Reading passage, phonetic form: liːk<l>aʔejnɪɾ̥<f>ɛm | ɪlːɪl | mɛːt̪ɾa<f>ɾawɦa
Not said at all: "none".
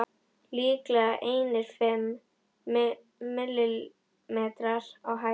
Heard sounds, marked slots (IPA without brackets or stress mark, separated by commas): l, f, none